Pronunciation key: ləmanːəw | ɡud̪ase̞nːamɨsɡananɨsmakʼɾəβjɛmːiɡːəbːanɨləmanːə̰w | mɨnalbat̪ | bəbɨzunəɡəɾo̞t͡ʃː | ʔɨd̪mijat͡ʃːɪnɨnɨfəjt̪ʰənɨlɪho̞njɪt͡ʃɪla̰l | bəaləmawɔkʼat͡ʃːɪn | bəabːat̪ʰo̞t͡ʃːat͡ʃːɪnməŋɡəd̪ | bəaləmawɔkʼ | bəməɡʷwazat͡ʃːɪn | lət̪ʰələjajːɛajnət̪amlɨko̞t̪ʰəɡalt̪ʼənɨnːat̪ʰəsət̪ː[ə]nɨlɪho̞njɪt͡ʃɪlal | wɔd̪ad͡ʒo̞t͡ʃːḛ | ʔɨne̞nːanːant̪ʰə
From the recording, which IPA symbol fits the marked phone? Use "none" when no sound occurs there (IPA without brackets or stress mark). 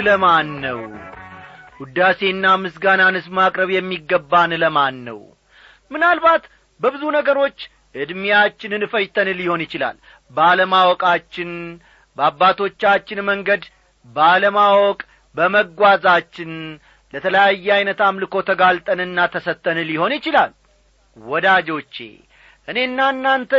ə